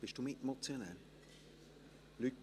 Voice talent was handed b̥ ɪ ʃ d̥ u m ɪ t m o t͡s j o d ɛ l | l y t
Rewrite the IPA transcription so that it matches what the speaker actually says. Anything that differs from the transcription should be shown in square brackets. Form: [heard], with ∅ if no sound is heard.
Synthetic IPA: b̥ ɪ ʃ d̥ u m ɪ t m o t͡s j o [n] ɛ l | l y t